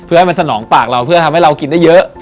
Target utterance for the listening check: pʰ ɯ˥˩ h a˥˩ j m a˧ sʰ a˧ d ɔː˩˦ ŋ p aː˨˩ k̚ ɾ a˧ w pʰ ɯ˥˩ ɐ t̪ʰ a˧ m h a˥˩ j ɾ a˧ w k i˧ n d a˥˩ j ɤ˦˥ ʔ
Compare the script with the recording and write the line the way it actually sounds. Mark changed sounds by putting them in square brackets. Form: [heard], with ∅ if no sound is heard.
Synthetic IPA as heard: pʰ ɯ˥˩ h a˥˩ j m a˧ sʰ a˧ [n] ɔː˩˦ ŋ p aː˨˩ k̚ ɾ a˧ w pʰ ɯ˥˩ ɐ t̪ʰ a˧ m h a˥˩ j ɾ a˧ w k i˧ n d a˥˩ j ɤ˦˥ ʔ